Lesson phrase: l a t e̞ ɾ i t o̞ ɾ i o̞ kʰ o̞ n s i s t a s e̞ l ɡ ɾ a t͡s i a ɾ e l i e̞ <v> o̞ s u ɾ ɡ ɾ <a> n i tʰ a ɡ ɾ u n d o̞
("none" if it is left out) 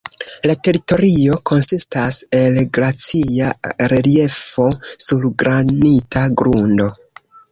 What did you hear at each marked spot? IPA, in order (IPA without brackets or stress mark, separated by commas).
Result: f, a